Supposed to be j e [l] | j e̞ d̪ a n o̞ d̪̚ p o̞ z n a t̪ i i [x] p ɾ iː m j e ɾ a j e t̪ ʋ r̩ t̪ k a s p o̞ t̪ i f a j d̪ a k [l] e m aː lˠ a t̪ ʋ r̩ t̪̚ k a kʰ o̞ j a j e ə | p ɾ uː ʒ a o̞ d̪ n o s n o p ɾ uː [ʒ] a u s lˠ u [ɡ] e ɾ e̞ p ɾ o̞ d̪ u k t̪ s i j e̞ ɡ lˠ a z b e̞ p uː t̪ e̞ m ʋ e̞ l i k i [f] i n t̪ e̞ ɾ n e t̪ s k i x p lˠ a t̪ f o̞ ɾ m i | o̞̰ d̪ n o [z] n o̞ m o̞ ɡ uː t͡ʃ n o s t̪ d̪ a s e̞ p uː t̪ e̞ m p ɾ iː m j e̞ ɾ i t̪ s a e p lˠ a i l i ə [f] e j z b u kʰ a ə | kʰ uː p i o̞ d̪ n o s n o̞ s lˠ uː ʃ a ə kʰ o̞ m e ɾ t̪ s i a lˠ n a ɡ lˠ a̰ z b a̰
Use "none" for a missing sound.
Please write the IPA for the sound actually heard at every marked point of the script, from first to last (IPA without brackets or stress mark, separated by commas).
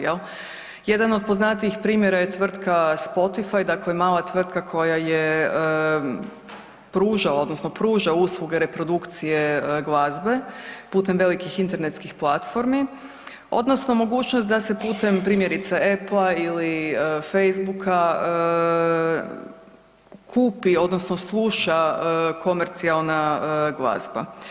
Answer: l, x, l, ʒ, ɡ, x, s, f